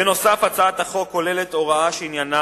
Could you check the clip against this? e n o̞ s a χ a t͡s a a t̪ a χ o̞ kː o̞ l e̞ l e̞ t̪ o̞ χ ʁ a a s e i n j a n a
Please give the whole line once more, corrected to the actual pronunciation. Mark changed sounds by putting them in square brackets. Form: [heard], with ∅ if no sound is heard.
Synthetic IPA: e n o̞ s a [f] a t͡s a a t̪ a χ o̞ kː o̞ l e̞ l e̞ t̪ o̞ [∅] ʁ a a [ʃ] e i n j a n a